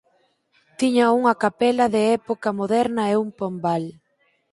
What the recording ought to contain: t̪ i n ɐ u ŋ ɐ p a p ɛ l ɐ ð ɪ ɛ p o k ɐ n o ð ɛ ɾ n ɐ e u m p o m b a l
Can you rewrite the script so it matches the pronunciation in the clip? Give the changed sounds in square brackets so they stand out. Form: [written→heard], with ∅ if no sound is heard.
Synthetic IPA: t̪ i [n→ɲ] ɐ u ŋ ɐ [p→k] a p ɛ l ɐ ð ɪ ɛ p o k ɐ [n→m] o ð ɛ ɾ n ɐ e u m p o m b a l